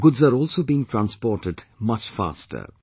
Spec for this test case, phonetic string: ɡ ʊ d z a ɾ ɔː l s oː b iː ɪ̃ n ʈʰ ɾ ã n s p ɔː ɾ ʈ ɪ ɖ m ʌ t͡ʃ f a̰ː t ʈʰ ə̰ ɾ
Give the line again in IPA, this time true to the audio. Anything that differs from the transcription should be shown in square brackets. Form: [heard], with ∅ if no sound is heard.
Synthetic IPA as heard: ɡ ʊ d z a ɾ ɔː l s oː b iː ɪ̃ [ŋ] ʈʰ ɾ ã n s p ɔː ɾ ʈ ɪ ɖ m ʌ t͡ʃ f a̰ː [s] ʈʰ ə̰ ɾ